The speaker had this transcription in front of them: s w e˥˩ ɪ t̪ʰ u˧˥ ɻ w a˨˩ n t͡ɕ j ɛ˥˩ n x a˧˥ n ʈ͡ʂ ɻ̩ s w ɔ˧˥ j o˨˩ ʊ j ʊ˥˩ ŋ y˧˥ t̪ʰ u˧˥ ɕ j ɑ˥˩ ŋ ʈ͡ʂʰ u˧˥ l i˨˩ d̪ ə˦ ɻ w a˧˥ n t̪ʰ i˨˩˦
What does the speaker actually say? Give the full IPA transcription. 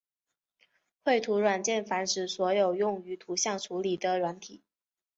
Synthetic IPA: x w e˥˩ ɪ t̪ʰ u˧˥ ɻ w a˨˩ n t͡ɕ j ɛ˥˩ n f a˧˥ n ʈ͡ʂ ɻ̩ s w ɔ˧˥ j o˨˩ ʊ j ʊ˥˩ ŋ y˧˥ t̪ʰ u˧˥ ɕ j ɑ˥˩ ŋ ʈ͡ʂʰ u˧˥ l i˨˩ d̪ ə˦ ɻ w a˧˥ n t̪ʰ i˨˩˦